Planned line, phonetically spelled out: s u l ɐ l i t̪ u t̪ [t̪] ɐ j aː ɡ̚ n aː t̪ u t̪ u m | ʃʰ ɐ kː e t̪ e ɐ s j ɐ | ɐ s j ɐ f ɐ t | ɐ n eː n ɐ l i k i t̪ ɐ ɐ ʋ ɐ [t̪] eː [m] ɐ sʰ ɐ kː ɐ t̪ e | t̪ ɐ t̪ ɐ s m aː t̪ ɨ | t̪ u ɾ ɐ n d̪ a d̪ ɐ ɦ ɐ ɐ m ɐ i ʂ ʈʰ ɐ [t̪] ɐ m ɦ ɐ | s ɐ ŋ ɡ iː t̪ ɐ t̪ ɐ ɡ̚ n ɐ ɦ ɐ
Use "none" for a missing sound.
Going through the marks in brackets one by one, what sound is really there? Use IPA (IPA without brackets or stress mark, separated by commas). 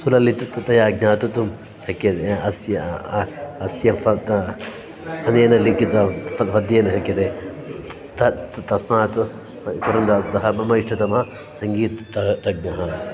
t̪, d̪, n, t̪